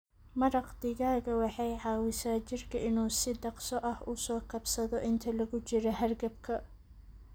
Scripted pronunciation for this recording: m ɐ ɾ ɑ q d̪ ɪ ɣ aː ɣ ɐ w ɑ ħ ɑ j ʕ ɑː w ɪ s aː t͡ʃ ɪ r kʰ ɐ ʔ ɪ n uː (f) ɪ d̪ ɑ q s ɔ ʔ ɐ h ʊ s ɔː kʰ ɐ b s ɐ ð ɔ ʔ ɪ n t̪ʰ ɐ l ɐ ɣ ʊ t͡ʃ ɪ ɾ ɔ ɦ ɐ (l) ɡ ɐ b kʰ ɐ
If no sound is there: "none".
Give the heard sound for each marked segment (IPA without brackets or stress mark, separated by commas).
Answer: s, r